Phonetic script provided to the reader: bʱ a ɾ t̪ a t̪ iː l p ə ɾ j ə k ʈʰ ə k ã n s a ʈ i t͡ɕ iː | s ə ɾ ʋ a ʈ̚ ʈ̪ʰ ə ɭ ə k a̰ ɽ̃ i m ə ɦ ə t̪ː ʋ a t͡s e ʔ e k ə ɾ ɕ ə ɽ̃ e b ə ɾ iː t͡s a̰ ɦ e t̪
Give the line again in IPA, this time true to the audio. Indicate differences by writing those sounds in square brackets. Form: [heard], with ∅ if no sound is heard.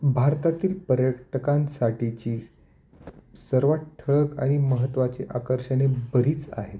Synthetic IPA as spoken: bʱ a ɾ t̪ a t̪ iː l p ə ɾ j ə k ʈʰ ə k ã n s a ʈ i t͡ɕ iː | s ə ɾ ʋ a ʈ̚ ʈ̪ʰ ə ɭ ə k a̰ ɽ̃ i m ə ɦ ə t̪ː ʋ a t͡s e ʔ [a] k ə ɾ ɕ ə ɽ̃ e b ə ɾ iː t͡s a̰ ɦ e t̪